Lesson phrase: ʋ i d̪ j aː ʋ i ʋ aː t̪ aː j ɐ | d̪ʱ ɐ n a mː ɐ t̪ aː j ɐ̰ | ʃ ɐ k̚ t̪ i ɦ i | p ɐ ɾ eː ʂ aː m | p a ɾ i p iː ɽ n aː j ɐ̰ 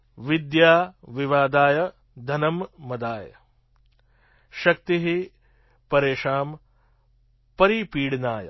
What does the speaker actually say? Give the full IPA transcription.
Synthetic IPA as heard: ʋ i d̪ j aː ʋ i ʋ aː d̪ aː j ɐ | d̪ʱ ɐ n ɐ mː ɐ d̪ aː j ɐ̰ | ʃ ɐ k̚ t̪ i ɦ i | p ɐ ɾ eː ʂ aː m | p ɐ ɾ i p iː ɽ n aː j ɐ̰